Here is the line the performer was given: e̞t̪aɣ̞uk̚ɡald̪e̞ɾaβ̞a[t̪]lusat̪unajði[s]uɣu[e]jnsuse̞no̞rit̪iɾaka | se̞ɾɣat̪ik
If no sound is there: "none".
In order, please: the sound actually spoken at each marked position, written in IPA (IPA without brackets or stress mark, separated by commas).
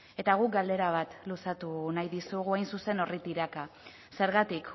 t̪, s, a